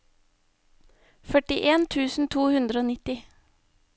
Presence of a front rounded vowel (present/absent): present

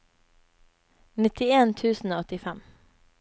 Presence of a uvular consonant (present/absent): absent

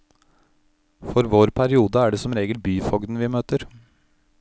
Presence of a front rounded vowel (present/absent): present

